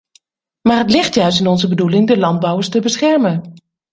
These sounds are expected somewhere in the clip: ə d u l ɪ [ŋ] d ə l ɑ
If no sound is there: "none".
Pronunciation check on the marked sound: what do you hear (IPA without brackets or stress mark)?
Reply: ŋ